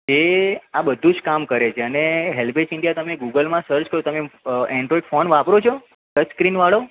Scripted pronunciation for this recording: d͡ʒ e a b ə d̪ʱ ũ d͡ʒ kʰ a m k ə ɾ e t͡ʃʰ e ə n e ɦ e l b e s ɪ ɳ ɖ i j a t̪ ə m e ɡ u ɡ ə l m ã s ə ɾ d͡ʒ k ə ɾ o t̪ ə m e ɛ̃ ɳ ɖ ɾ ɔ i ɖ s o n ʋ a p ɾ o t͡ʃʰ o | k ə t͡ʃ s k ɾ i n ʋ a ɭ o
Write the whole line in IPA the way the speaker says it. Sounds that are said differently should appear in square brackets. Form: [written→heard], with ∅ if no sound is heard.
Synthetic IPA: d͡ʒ e a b ə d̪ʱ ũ d͡ʒ [kʰ→k] a m k ə ɾ e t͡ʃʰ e ə n e ɦ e l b e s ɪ ɳ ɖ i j a t̪ ə m e ɡ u ɡ ə l m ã s ə ɾ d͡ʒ k ə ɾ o t̪ ə m e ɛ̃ ɳ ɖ ɾ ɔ i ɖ [s→f] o n ʋ a p ɾ o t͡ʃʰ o | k ə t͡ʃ s k ɾ i n ʋ a ɭ o